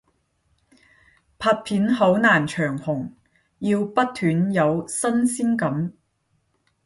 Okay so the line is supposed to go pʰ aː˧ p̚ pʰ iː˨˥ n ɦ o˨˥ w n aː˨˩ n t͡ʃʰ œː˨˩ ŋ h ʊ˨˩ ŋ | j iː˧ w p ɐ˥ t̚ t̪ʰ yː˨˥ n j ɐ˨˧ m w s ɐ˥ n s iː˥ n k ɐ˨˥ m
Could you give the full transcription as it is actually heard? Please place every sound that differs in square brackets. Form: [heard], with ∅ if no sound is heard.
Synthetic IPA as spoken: pʰ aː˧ [t̚] pʰ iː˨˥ n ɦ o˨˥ w n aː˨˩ n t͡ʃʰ œː˨˩ ŋ h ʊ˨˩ ŋ | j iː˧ w p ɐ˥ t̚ t̪ʰ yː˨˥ n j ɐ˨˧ [∅] w s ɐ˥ n s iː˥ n k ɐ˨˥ m